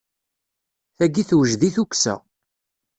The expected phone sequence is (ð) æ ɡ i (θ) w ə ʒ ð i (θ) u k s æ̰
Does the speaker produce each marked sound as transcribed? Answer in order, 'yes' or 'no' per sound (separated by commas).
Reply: no, yes, yes